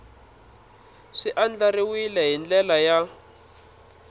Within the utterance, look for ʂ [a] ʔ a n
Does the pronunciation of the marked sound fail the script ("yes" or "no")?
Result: yes